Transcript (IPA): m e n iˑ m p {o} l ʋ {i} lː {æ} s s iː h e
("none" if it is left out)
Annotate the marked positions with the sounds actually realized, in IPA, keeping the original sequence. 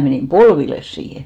o, i, e

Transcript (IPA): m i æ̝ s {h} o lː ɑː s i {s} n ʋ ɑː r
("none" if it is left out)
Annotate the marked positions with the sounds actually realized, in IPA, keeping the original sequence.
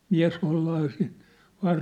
h, none

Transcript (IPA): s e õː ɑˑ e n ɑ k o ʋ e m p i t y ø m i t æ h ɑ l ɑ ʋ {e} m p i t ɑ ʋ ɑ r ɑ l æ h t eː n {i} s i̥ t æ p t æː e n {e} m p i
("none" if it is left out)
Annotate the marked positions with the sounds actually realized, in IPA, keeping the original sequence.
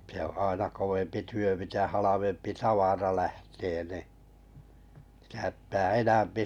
e, i, æ

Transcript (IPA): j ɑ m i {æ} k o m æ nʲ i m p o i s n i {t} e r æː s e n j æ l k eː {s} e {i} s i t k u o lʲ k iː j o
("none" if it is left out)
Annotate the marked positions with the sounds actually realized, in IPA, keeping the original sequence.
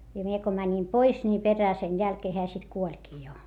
e, p, h, æ

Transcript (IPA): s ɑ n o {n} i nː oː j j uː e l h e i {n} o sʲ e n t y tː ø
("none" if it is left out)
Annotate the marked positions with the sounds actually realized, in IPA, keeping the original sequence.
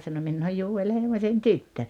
m, m

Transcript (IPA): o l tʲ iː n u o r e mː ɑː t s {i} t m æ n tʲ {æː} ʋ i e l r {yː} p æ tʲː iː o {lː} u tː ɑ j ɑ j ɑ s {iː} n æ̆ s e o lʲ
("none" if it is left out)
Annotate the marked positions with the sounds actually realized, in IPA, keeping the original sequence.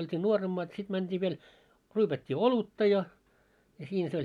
i, iː, yː, l, iː

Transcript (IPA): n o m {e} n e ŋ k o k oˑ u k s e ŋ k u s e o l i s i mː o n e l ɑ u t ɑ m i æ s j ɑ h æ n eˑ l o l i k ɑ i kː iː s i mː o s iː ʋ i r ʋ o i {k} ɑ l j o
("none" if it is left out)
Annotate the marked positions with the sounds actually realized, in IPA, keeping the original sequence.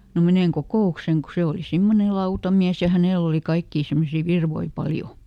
e, p

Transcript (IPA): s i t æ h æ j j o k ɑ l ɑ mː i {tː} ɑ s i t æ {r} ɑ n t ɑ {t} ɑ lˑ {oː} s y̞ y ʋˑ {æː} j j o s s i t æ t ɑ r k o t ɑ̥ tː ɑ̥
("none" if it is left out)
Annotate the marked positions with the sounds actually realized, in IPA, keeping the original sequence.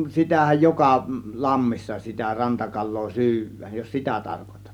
sː, r, k, oː, æː

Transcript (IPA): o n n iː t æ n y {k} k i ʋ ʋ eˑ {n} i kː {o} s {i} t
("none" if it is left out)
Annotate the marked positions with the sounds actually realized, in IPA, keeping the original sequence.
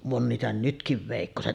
t, none, o, e

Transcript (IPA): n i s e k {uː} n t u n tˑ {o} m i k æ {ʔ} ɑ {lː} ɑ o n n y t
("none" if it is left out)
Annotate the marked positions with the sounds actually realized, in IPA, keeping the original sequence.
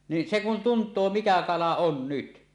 u, oː, k, l

